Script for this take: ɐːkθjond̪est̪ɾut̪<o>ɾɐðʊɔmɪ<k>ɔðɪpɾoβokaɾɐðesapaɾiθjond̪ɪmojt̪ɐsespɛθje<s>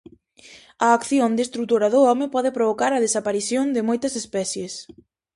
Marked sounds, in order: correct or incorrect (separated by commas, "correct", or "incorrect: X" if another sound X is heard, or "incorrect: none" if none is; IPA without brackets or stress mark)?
correct, incorrect: p, correct